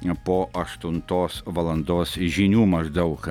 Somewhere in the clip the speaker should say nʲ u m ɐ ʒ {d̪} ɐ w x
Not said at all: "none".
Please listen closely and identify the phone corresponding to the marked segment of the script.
d̪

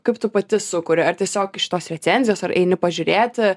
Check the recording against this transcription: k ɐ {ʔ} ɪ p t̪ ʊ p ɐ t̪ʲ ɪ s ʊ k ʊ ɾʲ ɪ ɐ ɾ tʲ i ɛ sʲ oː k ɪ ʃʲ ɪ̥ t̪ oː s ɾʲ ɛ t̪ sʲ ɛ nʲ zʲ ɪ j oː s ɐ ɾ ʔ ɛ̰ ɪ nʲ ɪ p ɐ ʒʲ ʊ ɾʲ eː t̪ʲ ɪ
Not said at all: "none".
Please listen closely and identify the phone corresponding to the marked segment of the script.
none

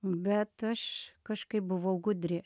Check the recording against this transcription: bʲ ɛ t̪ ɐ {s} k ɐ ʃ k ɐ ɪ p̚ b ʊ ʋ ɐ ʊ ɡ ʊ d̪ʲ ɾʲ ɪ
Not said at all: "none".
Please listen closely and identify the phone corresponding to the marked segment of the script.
ʃ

